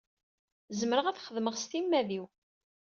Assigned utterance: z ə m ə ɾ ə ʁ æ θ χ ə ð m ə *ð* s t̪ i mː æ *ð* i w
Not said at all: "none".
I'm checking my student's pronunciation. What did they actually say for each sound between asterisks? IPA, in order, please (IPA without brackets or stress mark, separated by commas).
ʁ, ð